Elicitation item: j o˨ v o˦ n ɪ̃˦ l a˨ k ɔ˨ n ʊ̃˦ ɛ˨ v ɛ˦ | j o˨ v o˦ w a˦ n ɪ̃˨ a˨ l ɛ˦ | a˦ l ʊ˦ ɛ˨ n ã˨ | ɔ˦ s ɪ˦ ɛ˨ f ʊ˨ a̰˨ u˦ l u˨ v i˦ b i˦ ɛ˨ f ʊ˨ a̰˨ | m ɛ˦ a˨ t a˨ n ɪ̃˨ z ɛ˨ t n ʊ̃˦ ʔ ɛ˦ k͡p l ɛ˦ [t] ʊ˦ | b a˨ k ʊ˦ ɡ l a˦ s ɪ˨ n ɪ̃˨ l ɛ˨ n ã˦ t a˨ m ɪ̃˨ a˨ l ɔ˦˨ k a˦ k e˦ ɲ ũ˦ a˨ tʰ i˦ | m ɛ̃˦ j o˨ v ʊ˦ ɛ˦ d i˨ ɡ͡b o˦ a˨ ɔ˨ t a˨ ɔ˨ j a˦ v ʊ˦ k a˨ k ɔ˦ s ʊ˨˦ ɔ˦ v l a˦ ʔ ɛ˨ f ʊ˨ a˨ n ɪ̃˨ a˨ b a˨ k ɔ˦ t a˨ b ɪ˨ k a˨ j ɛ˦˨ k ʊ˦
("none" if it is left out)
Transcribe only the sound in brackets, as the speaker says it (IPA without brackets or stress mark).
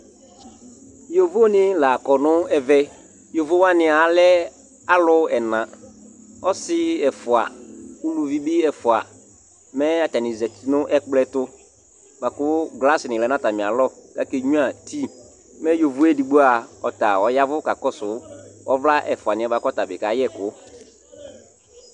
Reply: t